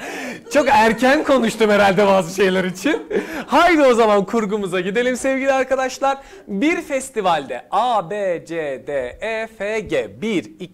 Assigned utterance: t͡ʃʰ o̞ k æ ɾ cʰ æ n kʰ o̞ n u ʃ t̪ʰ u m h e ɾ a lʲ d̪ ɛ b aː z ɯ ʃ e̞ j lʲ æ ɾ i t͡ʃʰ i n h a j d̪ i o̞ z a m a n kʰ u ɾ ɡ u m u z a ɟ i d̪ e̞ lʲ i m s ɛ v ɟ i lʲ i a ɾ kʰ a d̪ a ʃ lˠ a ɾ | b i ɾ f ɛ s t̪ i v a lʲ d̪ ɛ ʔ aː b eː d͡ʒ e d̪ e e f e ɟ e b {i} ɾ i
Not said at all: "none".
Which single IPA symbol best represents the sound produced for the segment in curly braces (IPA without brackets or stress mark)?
i